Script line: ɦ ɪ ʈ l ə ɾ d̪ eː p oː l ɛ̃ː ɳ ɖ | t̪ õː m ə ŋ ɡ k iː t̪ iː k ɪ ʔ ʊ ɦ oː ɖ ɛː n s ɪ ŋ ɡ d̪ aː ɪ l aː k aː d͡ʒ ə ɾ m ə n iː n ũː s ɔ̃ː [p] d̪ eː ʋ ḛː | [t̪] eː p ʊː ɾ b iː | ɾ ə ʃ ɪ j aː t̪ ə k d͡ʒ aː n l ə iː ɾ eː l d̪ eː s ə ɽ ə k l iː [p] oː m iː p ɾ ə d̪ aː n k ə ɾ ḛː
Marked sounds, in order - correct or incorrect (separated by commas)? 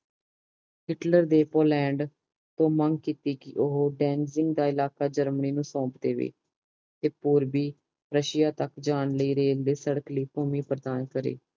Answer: correct, correct, correct